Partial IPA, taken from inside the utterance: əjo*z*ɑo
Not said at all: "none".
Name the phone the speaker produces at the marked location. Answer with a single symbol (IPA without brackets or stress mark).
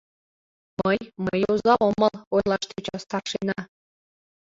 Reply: z